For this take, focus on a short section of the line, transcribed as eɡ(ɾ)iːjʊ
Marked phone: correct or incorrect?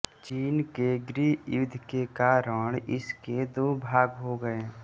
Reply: correct